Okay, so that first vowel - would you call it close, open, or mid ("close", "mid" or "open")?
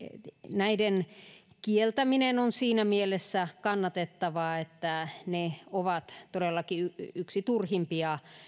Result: open